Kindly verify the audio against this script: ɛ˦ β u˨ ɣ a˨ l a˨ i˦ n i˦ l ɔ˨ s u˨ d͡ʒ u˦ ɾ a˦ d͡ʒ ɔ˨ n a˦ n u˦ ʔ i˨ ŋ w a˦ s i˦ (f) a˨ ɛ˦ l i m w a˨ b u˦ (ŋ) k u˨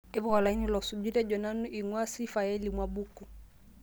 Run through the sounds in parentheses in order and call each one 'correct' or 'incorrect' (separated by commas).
correct, incorrect